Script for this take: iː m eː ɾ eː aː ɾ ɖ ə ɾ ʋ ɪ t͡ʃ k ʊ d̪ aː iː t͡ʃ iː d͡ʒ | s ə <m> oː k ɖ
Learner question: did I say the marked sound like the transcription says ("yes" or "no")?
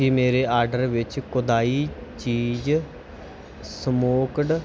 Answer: yes